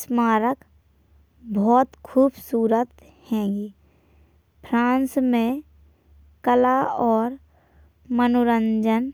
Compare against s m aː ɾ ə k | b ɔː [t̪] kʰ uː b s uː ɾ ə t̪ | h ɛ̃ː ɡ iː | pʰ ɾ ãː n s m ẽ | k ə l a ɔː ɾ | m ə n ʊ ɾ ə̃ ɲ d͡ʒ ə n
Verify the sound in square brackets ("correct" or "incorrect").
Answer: correct